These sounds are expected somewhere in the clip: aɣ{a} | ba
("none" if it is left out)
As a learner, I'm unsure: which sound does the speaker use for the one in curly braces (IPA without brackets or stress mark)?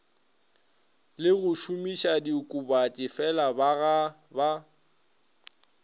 a